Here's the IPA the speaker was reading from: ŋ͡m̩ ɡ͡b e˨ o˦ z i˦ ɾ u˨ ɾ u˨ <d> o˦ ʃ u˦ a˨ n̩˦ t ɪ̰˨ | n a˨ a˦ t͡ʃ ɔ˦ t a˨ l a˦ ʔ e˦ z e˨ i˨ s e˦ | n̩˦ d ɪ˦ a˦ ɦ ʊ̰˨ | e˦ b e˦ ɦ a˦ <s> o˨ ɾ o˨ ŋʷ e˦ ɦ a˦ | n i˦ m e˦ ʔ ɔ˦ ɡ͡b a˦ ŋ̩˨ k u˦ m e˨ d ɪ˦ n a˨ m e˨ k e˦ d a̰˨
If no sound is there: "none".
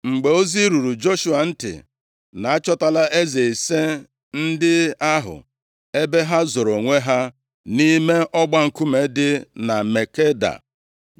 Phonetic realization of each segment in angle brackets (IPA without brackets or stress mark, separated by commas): d͡ʒ, z